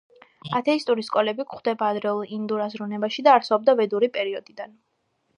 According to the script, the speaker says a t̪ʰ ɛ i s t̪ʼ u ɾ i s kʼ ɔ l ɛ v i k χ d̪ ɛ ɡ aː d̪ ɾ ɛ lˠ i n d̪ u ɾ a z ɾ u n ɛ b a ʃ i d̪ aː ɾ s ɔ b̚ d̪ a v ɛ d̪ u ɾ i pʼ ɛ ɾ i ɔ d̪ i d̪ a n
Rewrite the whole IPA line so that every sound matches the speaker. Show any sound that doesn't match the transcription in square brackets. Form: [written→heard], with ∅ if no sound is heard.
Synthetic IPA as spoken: a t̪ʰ ɛ i s t̪ʼ u ɾ i s kʼ ɔ l ɛ [v→b] i k χ d̪ ɛ [ɡ→b] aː d̪ ɾ ɛ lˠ i n d̪ u ɾ a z ɾ u n ɛ b a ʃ i d̪ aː ɾ s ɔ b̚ d̪ a v ɛ d̪ u ɾ i pʼ ɛ ɾ i ɔ d̪ i d̪ a n